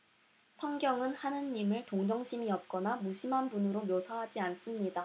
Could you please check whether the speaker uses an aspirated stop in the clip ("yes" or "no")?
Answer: no